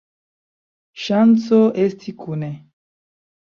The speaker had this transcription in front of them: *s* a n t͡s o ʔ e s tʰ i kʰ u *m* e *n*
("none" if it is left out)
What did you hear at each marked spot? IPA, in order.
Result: ʃ, n, none

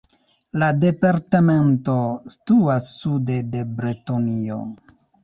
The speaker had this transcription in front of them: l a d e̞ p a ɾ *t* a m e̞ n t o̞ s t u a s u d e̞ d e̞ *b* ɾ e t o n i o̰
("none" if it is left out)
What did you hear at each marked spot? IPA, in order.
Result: t, b

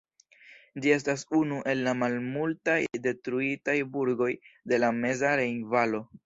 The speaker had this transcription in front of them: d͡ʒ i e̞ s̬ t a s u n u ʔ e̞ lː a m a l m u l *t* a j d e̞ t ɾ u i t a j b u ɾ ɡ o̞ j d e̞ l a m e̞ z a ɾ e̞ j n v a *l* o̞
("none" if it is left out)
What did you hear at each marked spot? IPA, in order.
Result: t, l

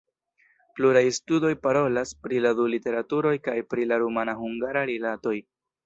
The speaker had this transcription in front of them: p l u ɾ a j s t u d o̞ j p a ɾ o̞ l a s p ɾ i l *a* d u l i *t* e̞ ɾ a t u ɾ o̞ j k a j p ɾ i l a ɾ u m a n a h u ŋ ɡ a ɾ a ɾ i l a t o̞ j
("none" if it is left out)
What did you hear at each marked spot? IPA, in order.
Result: a, t

